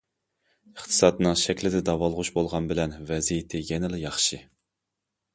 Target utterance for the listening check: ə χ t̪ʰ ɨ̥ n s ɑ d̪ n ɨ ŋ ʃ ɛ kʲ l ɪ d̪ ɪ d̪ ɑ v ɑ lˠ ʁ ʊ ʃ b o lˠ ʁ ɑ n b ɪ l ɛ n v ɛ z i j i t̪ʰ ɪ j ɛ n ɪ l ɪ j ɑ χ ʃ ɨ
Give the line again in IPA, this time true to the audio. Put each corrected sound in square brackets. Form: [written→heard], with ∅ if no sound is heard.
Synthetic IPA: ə χ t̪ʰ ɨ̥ [n→∅] s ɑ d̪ n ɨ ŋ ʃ ɛ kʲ l ɪ d̪ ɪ d̪ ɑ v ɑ lˠ ʁ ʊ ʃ b o lˠ ʁ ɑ n b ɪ l ɛ n v ɛ z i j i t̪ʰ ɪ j ɛ n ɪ l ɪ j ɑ χ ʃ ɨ